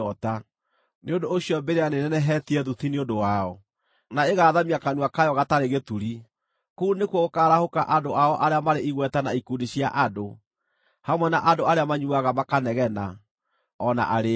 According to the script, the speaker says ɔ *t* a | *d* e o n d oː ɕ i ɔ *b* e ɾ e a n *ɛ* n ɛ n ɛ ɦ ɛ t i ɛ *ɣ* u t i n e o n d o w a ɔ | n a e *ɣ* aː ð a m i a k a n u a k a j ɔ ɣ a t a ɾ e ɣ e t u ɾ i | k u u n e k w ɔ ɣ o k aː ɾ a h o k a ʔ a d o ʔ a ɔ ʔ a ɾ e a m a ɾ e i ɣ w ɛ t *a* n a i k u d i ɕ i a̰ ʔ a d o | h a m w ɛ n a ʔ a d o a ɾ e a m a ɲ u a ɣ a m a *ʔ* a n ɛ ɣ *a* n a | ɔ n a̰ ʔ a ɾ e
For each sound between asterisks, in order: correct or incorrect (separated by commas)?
correct, incorrect, correct, incorrect, incorrect, correct, correct, incorrect, incorrect